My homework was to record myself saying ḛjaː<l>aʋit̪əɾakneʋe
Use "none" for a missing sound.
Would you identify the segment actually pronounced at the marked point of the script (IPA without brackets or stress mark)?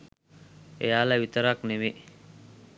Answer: l